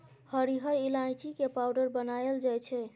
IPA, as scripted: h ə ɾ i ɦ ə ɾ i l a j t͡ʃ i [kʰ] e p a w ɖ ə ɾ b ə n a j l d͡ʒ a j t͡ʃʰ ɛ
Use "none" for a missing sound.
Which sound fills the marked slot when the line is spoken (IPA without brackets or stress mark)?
k